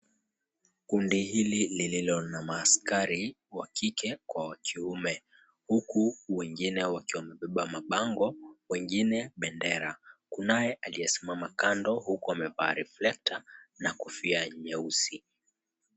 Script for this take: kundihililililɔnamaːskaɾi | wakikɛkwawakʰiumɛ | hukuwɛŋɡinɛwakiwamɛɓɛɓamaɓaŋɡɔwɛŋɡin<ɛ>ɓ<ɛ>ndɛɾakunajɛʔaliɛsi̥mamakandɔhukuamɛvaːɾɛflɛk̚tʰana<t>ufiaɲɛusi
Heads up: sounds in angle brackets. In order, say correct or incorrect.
correct, correct, incorrect: k

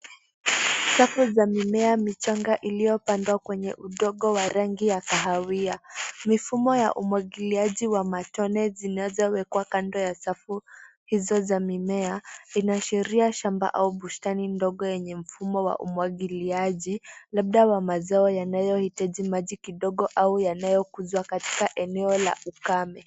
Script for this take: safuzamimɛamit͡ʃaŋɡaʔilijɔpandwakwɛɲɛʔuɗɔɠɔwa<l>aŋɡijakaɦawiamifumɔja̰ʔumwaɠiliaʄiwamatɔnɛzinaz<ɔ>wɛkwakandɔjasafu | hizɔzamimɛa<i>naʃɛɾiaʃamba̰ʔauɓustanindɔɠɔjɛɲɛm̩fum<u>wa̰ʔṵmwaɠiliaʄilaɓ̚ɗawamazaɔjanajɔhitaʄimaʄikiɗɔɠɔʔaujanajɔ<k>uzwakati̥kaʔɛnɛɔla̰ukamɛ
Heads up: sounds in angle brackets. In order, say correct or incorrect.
incorrect: ɾ, correct, correct, incorrect: ɔ, correct

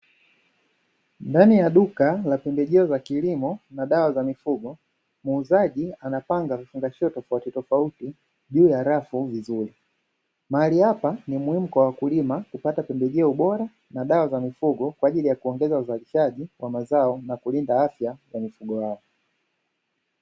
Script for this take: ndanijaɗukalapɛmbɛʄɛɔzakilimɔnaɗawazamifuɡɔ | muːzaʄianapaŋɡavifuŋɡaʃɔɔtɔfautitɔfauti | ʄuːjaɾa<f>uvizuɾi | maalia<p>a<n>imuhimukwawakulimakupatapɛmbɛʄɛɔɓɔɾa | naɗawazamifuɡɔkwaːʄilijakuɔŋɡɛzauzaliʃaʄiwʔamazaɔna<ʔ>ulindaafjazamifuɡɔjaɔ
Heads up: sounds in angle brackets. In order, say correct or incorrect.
correct, correct, correct, incorrect: k

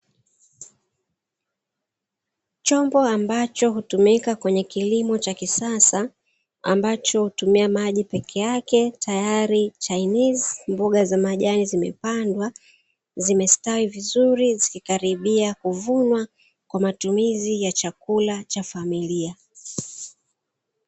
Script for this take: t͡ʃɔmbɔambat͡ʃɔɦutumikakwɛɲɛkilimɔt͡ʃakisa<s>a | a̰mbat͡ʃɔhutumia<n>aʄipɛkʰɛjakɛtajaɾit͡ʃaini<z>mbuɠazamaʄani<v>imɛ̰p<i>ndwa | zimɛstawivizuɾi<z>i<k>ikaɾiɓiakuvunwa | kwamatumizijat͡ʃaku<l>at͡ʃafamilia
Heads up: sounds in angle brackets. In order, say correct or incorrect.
correct, incorrect: m, correct, incorrect: z, incorrect: a, correct, correct, correct

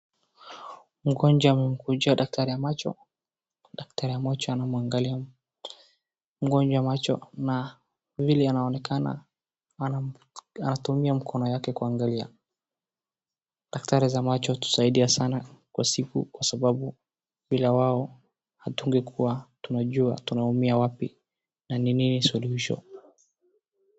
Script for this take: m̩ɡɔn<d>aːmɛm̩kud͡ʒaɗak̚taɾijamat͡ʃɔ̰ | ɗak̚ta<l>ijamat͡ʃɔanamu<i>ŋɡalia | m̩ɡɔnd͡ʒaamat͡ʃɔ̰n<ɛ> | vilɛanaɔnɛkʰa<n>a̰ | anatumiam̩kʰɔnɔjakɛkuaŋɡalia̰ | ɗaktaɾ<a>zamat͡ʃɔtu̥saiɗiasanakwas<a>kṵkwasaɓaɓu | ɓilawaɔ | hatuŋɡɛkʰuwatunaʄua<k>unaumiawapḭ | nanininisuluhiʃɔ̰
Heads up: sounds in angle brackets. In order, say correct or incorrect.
incorrect: d͡ʒ, incorrect: ɾ, incorrect: a, incorrect: a, correct, incorrect: i, incorrect: i, incorrect: t

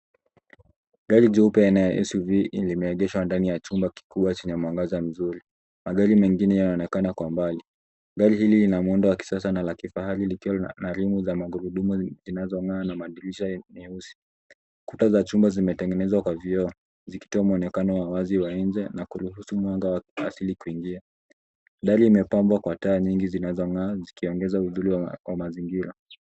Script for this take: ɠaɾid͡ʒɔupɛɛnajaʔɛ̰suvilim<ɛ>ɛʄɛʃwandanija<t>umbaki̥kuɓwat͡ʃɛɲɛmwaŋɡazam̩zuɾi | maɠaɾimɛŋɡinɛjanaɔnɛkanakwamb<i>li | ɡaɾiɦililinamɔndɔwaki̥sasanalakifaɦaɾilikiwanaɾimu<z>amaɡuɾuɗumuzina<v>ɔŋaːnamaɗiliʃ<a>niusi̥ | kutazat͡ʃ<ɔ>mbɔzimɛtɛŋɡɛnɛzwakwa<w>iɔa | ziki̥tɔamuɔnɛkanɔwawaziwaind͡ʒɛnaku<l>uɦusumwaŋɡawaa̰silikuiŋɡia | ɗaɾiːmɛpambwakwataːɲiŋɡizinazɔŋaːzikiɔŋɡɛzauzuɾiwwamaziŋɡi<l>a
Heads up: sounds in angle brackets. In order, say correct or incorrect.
correct, incorrect: t͡ʃ, incorrect: a, correct, incorrect: z, correct, incorrect: u, incorrect: v, incorrect: ɾ, incorrect: ɾ

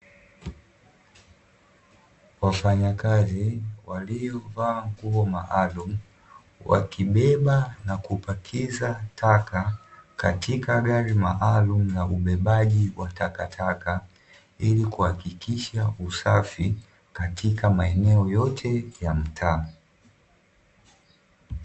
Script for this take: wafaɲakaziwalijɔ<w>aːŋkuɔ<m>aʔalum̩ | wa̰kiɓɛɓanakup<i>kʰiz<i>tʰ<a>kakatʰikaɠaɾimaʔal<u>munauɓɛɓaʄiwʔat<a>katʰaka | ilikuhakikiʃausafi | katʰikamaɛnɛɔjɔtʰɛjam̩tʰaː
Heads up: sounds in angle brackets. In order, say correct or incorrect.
incorrect: v, correct, incorrect: a, incorrect: a, correct, correct, correct

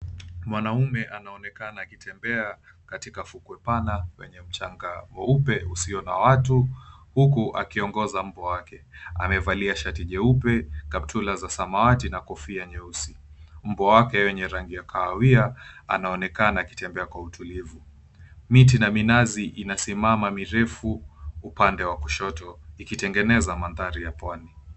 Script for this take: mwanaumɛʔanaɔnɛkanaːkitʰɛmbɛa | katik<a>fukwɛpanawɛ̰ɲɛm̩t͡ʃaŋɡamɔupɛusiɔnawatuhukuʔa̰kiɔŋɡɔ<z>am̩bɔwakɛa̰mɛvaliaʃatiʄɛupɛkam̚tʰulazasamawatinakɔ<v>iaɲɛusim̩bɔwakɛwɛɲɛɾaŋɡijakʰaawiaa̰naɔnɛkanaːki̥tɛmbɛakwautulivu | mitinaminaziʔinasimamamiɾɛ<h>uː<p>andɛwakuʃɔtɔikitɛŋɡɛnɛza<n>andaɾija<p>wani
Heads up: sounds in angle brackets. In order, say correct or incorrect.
correct, correct, incorrect: f, incorrect: f, correct, incorrect: m, correct

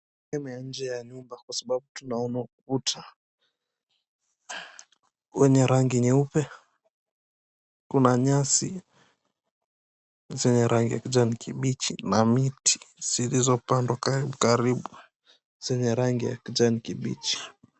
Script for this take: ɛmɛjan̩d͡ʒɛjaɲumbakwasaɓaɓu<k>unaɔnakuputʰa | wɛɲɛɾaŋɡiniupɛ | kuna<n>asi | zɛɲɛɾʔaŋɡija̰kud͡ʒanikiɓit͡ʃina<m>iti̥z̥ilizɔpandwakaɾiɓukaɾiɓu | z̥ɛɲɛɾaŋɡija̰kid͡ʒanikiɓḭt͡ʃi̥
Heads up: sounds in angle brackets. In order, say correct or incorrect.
incorrect: t, incorrect: ɲ, correct

